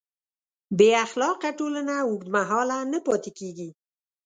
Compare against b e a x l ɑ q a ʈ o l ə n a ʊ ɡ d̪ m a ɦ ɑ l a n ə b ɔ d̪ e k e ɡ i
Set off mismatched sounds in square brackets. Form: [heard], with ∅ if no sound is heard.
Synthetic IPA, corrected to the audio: b e a x l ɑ q a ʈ o l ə n a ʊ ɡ d̪ m a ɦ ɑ l a n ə [p] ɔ [t̪] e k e ɡ i